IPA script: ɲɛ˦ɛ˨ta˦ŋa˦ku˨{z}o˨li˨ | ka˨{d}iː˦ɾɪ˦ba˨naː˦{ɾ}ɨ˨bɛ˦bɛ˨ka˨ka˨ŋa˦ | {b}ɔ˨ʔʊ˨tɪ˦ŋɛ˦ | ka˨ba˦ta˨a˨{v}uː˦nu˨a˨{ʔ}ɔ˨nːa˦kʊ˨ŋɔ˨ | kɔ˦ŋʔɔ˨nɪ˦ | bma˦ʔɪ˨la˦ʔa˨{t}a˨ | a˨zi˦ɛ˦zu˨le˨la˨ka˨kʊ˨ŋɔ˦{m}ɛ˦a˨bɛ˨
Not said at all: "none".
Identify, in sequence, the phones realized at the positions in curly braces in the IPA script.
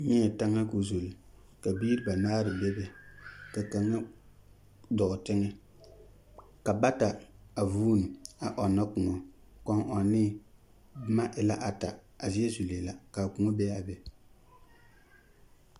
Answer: z, b, ɾ, d, v, ʔ, t, b

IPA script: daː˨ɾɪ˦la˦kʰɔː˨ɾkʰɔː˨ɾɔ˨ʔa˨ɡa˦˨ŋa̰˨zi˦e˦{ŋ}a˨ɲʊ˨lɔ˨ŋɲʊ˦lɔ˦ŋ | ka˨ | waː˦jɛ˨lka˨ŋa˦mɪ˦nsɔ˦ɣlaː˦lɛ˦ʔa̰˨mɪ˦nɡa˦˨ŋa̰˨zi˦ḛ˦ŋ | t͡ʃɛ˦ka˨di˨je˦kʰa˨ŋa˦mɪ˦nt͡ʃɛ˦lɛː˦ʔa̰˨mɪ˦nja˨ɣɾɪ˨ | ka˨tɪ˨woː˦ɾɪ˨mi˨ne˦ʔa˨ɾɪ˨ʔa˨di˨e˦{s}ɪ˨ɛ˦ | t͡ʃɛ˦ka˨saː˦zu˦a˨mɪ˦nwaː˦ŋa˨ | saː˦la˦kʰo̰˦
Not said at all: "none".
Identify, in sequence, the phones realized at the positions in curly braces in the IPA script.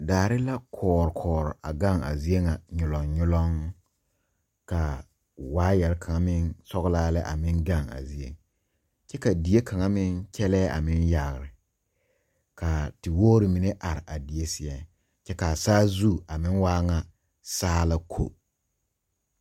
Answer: ŋ, s

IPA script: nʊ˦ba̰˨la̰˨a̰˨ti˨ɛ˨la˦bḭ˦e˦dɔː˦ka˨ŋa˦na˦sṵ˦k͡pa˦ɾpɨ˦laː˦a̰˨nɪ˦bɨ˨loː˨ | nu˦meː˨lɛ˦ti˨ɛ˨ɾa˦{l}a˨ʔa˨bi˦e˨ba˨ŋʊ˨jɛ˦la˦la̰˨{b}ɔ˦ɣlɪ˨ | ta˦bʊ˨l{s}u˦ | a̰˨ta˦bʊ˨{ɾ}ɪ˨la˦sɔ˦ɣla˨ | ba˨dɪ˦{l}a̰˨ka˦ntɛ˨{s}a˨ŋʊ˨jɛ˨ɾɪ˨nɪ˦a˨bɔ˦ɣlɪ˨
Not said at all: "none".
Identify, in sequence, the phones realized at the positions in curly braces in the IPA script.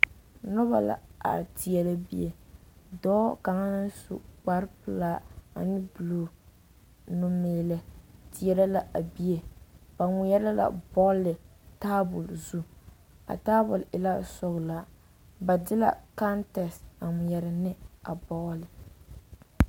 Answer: l, b, z, l, l, s

